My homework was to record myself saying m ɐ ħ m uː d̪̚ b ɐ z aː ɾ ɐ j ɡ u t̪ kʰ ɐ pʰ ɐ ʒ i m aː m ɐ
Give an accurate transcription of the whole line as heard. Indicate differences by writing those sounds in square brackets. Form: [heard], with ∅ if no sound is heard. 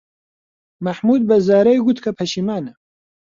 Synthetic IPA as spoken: m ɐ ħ m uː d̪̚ b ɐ z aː ɾ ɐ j ɡ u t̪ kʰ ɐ pʰ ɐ [ʃ] i m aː [n] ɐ